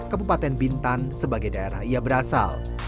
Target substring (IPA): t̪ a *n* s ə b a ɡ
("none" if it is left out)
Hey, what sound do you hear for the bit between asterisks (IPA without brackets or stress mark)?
n